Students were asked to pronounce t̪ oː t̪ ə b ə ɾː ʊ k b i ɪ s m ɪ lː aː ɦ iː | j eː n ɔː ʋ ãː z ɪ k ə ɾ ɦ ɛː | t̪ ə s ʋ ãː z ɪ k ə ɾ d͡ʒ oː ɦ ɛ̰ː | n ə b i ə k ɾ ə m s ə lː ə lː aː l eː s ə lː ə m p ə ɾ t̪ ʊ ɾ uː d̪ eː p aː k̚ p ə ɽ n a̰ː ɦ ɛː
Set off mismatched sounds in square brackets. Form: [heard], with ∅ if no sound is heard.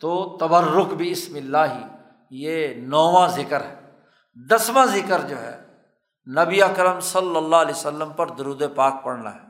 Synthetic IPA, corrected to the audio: t̪ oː t̪ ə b ə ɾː ʊ k b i ɪ s m ɪ lː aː ɦ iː | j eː n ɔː ʋ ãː z ɪ k ə ɾ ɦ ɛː | [d̪] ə s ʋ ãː z ɪ k ə ɾ d͡ʒ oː ɦ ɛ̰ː | n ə b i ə k ɾ ə m s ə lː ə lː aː l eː s ə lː ə m p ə ɾ [d̪] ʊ ɾ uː d̪ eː p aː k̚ p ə ɽ n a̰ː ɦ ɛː